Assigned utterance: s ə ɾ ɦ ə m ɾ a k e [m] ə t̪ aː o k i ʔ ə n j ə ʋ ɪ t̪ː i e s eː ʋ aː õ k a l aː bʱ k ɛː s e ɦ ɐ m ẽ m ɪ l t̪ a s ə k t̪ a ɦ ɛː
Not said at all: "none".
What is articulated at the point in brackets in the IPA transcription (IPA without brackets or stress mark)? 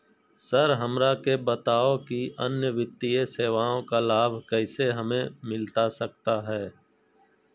b